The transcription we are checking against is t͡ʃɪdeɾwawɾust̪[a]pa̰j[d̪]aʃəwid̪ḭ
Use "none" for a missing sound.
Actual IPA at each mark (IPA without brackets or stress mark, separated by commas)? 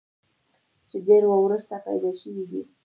a, d̪